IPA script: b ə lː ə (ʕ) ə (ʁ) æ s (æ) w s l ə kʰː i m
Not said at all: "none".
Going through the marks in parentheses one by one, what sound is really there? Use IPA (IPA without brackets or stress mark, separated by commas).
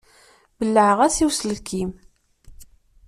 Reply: ʕ, ʁ, i